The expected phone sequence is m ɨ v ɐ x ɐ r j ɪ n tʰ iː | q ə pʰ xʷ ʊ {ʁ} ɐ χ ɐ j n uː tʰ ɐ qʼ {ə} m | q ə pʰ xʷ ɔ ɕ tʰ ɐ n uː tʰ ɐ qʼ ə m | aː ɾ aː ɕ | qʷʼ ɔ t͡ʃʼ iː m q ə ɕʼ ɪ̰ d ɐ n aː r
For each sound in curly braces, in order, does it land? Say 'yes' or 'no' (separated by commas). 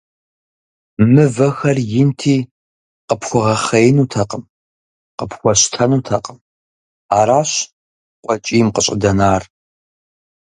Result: yes, yes